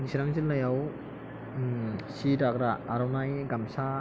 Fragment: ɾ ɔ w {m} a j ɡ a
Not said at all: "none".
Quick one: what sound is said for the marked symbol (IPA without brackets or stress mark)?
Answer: n